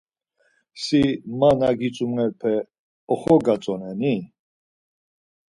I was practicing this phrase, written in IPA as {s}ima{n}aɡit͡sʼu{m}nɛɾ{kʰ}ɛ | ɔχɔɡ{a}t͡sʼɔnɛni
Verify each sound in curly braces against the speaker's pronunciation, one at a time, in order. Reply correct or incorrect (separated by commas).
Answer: correct, correct, correct, incorrect, correct